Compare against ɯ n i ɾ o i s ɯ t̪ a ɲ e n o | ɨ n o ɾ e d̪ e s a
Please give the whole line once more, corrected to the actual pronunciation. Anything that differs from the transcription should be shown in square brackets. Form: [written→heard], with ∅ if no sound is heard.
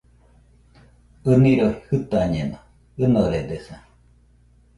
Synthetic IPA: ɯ n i ɾ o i [s→h] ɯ t̪ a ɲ e n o | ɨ n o ɾ e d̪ e s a